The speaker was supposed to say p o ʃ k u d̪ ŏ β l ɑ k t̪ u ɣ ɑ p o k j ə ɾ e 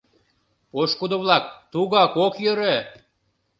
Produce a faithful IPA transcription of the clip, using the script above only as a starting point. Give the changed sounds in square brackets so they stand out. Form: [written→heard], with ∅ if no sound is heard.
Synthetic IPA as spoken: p o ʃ k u d̪ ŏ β l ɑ k t̪ u ɣ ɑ [p→k] o k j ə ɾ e